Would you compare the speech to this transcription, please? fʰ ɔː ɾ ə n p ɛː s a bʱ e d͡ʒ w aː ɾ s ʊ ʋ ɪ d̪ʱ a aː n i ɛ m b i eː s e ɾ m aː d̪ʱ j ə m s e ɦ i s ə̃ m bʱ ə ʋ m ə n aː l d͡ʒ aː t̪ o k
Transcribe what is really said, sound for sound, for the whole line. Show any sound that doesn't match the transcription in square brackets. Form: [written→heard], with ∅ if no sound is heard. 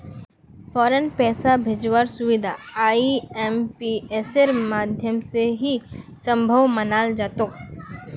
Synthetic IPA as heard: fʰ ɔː ɾ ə n p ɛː s a bʱ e d͡ʒ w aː ɾ s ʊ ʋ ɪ d̪ʱ a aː [n→∅] i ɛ m [b→p] i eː s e ɾ m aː d̪ʱ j ə m s e ɦ i s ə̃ m bʱ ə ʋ m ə n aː l d͡ʒ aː t̪ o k

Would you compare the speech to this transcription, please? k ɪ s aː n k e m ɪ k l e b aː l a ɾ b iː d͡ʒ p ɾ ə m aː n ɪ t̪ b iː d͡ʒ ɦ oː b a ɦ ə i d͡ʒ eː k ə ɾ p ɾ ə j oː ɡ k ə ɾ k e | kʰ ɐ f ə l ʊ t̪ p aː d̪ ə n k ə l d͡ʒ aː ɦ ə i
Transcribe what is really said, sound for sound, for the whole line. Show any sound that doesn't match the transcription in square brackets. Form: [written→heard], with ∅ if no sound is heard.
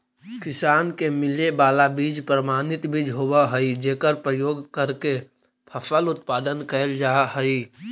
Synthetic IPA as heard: k ɪ s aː n k e m ɪ [k→∅] l e b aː l a [ɾ→∅] b iː d͡ʒ p ɾ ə m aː n ɪ t̪ b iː d͡ʒ ɦ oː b a ɦ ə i d͡ʒ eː k ə ɾ p ɾ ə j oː ɡ k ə ɾ k e | [kʰ→pʰ] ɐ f ə l ʊ t̪ p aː d̪ ə n k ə l d͡ʒ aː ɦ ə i

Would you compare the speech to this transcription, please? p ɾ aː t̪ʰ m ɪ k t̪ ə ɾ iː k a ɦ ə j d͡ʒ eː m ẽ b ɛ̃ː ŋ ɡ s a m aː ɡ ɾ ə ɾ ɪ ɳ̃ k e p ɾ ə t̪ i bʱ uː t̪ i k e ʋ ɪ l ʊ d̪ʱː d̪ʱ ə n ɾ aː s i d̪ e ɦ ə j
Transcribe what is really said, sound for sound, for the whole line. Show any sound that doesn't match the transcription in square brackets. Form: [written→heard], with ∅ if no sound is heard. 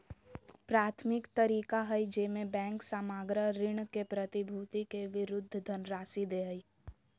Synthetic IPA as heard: p ɾ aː t̪ʰ m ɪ k t̪ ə ɾ iː k a ɦ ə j d͡ʒ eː m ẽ b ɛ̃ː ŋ [ɡ→k] s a m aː ɡ ɾ ə ɾ ɪ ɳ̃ k e p ɾ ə t̪ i bʱ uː t̪ i k e ʋ ɪ [l→ɾ] ʊ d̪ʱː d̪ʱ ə n ɾ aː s i d̪ e ɦ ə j

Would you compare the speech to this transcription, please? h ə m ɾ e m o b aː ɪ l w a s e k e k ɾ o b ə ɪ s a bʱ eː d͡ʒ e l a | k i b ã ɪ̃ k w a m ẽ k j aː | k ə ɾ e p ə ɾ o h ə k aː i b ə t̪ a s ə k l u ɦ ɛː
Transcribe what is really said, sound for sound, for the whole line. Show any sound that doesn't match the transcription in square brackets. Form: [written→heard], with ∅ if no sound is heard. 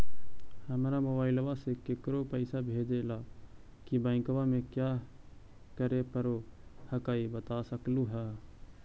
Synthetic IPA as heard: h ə m ɾ [e→a] m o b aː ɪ l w a s e k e k ɾ o [b→p] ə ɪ s a bʱ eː d͡ʒ e l a | k i b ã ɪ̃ k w a m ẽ k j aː | k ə ɾ e p ə ɾ o h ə k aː i b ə t̪ a s ə k l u ɦ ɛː

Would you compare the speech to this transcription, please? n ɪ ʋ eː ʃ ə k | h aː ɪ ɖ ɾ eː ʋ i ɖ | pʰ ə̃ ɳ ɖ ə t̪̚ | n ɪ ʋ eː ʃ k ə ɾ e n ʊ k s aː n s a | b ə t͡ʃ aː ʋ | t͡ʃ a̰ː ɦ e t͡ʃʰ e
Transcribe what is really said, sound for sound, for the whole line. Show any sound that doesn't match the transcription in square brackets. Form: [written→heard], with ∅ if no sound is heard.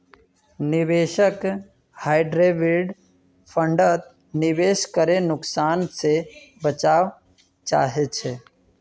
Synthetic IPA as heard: n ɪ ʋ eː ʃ ə k | h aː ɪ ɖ ɾ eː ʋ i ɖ | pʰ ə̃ ɳ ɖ ə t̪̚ | n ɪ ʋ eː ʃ k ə ɾ e n ʊ k s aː n s [a→e] | b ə t͡ʃ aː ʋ | t͡ʃ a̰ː ɦ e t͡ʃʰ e

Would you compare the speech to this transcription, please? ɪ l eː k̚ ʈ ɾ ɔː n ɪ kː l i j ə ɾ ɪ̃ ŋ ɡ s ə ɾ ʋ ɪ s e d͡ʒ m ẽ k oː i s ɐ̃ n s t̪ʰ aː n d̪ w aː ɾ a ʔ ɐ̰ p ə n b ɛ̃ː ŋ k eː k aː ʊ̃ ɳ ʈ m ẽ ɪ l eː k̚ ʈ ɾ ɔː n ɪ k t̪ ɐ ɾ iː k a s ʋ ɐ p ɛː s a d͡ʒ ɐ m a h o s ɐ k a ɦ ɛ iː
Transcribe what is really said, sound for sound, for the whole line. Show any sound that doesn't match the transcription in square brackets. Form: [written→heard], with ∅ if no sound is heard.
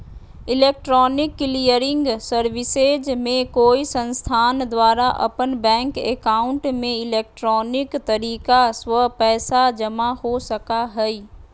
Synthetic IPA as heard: ɪ l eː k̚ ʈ ɾ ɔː n ɪ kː l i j ə ɾ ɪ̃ ŋ ɡ s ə ɾ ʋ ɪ s e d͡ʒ m ẽ k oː i s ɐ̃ n s t̪ʰ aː n d̪ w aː ɾ a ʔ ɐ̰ p ə n b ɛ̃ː ŋ k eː k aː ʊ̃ ɳ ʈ m ẽ ɪ l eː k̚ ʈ ɾ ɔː n ɪ k t̪ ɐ ɾ iː k a s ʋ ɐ p ɛː s a d͡ʒ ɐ m a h o s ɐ k a ɦ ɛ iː

